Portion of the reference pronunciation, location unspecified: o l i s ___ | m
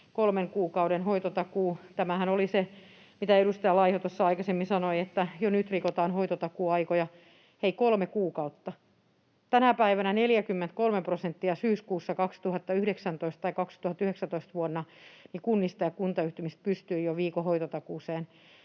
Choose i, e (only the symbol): e